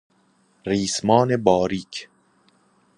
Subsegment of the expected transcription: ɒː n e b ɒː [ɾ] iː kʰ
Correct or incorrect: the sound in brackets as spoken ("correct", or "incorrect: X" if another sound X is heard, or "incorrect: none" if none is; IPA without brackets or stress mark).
correct